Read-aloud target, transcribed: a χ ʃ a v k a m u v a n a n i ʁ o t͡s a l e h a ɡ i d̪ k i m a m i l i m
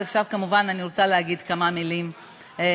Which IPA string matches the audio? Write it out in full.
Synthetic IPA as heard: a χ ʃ a v k a m u v a n a n i ʁ o t͡s a l e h a ɡ i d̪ k a m a m i l i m